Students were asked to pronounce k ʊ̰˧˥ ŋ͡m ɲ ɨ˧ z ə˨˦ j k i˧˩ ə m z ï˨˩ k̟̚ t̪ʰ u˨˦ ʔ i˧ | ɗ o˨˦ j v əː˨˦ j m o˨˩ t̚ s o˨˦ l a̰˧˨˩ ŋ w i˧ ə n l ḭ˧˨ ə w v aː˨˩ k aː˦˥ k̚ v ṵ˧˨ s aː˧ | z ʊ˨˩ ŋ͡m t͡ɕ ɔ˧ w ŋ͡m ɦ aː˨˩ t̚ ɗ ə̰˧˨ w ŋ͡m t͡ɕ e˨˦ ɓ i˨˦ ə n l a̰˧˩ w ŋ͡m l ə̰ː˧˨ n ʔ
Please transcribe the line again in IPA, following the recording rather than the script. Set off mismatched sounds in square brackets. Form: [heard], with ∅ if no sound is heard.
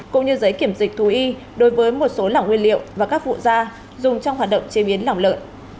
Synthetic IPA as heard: k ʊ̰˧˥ ŋ͡m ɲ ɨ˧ z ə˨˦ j k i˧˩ ə m z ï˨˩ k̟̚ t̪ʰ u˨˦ ʔ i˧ | ɗ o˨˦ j v əː˨˦ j m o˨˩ t̚ s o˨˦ l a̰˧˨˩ ŋ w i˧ ə n l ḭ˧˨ ə w v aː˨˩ k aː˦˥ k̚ v ṵ˧˨ [z] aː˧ | z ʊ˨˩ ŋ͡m t͡ɕ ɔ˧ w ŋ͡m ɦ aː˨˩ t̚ ɗ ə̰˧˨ w ŋ͡m t͡ɕ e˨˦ ɓ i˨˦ ə n l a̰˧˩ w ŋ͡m l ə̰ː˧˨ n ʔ